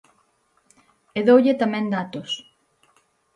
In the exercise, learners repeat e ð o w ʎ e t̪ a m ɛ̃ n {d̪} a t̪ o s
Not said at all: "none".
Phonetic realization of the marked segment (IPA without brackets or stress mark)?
d̪